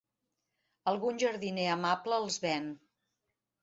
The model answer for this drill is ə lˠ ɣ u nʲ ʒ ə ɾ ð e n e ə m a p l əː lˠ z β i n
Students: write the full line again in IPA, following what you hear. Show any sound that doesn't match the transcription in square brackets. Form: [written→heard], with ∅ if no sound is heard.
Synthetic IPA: ə lˠ ɣ u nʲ ʒ ə ɾ ð [e→i] n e ə m a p l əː lˠ z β [i→ɛ] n